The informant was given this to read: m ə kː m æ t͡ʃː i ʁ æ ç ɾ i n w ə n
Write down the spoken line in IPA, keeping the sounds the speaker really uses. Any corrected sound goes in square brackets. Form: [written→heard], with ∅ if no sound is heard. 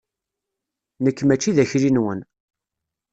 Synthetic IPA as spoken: [m→n] ə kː m æ t͡ʃː i [ʁ→ð] æ ç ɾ i n w ə n

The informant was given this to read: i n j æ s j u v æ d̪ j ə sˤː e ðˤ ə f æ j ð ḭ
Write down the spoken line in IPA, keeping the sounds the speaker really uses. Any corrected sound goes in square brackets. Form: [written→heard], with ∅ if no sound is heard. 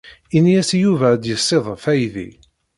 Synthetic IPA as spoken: i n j æ s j u v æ d̪ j ə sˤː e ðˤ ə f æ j ð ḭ

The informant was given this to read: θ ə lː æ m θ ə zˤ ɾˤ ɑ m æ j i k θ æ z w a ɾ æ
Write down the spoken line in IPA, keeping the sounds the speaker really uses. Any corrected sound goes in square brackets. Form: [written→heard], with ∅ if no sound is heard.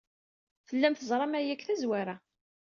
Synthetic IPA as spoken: θ ə lː æ m θ ə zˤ ɾˤ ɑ m æ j [i→æ] k θ æ z w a ɾ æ

